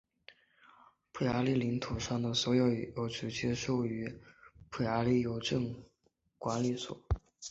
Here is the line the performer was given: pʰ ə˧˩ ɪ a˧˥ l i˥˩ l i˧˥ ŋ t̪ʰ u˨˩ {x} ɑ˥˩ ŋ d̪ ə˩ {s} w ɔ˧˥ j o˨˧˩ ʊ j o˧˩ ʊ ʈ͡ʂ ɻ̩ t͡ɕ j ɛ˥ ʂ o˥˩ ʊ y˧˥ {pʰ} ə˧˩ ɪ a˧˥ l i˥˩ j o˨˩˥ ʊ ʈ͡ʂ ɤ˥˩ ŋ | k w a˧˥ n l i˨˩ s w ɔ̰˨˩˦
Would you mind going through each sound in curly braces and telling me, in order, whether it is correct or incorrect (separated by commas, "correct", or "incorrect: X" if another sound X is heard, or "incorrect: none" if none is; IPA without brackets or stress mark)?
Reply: incorrect: ʂ, correct, correct